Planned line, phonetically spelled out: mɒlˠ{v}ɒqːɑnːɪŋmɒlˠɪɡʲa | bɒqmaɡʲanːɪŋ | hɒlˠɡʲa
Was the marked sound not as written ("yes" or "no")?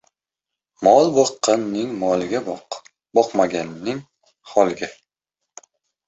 yes